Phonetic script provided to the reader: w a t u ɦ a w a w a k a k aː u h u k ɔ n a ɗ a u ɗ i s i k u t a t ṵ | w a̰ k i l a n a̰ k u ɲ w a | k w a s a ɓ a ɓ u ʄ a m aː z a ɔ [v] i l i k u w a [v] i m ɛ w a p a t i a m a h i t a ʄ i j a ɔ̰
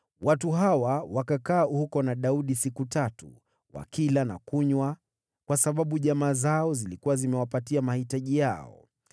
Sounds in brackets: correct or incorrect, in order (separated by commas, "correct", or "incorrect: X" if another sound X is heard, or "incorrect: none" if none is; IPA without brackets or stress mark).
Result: incorrect: z, incorrect: z